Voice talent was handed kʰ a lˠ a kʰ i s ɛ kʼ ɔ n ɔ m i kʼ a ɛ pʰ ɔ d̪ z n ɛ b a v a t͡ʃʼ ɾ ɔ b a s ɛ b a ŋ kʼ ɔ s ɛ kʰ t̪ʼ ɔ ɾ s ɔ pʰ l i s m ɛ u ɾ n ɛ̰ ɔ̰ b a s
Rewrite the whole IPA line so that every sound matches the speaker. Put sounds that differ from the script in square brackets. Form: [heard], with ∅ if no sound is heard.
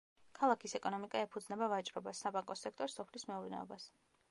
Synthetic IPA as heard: kʰ a lˠ a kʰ i s ɛ kʼ ɔ n ɔ m i kʼ a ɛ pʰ [u] d̪ z n ɛ b a v a t͡ʃʼ ɾ ɔ b a s [a] b a ŋ kʼ ɔ s ɛ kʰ t̪ʼ ɔ ɾ s ɔ pʰ l i s m ɛ u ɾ n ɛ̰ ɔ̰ b a s